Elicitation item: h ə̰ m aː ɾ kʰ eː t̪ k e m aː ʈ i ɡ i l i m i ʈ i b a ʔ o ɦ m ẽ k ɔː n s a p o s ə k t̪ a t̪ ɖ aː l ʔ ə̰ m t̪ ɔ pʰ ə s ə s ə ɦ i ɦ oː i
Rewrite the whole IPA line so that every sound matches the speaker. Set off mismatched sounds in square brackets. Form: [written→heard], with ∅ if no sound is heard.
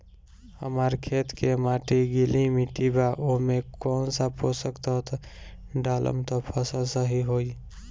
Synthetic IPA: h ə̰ m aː ɾ kʰ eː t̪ k e m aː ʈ i ɡ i l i m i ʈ i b a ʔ o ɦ m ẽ k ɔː n s a p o s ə k t̪ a t̪ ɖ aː l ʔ ə̰ m t̪ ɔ pʰ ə s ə s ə ɦ i ɦ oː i